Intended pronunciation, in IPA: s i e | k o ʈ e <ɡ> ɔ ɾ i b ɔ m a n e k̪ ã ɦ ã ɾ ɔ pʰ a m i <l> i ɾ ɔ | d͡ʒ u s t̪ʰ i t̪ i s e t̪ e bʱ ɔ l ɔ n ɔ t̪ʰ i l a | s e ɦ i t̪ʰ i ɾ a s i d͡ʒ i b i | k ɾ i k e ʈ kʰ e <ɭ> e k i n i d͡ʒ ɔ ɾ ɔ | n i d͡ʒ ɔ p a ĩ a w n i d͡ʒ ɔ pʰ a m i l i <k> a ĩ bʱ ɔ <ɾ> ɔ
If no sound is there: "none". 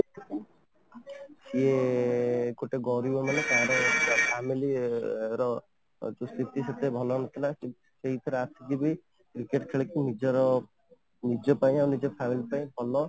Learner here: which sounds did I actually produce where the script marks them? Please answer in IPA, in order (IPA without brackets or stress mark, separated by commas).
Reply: ɡ, l, ɭ, p, l